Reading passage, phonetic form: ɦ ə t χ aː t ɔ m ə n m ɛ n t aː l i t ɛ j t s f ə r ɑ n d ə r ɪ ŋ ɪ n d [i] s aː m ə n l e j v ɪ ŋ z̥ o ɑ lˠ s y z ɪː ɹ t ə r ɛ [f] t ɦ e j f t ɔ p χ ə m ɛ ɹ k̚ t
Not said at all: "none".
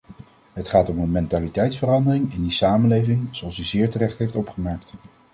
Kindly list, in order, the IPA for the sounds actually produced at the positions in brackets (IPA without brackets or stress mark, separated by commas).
i, χ